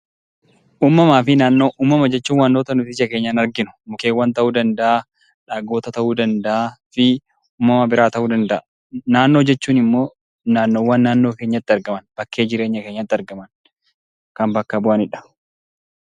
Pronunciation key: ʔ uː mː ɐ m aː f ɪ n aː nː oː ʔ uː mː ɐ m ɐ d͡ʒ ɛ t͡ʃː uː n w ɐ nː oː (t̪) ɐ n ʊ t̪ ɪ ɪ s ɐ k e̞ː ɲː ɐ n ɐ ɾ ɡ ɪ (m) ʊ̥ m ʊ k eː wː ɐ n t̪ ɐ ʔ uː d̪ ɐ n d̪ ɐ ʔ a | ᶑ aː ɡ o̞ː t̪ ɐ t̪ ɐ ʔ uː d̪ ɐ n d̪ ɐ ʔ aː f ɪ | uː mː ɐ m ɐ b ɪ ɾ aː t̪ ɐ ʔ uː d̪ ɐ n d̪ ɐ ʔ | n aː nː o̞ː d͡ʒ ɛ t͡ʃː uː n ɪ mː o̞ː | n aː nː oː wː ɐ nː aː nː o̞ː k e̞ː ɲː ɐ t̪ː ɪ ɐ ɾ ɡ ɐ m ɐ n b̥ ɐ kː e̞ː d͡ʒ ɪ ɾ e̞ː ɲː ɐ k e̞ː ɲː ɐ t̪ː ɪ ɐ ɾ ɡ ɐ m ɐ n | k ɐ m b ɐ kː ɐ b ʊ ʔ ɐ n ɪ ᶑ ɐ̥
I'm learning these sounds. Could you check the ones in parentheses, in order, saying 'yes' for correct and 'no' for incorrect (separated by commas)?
yes, no